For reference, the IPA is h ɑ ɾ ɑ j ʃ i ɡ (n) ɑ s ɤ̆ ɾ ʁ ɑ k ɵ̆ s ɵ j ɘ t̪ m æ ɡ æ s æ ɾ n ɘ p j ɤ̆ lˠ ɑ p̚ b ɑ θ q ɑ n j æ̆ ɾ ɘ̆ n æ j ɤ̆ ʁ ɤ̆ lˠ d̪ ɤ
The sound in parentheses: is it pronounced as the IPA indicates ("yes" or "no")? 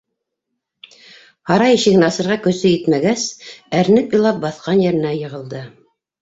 yes